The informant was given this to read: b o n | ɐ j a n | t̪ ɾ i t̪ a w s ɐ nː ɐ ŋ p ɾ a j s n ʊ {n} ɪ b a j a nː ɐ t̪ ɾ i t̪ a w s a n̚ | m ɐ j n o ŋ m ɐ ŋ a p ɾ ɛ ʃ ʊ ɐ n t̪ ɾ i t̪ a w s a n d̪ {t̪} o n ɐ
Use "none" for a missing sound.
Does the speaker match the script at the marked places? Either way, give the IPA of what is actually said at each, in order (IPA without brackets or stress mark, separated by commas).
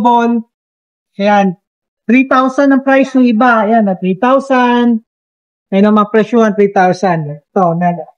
ŋ, t̪